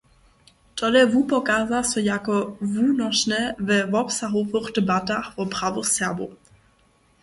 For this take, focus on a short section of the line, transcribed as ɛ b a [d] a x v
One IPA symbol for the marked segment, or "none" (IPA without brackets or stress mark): t